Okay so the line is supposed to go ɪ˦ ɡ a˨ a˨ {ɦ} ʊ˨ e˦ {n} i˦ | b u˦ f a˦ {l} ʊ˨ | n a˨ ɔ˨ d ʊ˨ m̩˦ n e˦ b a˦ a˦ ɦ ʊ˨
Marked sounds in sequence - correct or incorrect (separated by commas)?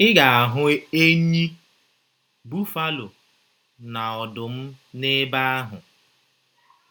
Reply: correct, incorrect, correct